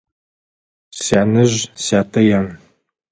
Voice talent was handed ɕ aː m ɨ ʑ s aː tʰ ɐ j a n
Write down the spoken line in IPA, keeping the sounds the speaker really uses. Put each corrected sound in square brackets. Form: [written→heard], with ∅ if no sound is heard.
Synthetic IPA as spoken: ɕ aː [m→n] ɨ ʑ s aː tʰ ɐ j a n